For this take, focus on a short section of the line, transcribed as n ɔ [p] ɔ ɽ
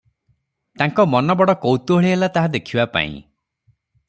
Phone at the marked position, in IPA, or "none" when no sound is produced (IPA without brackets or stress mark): b